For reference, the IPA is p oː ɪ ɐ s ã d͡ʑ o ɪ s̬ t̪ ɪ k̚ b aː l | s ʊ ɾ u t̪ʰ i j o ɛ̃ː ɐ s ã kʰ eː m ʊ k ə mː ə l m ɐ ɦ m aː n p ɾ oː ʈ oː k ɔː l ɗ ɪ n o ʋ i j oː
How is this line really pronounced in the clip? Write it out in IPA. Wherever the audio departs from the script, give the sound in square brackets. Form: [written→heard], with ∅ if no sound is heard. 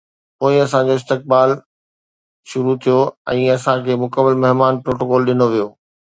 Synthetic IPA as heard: p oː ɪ ɐ s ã d͡ʑ o ɪ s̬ t̪ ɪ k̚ b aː l | [s→ʃ] ʊ ɾ u t̪ʰ i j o ɛ̃ː ɐ s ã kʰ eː m ʊ k ə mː ə l m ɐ ɦ m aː n p ɾ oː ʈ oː k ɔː l ɗ ɪ n o ʋ i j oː